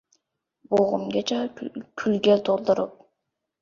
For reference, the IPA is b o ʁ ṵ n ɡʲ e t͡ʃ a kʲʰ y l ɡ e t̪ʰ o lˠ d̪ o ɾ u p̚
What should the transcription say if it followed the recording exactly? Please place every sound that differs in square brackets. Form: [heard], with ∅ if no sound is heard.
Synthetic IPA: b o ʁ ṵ [m] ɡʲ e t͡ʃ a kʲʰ y l ɡ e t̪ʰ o lˠ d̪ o ɾ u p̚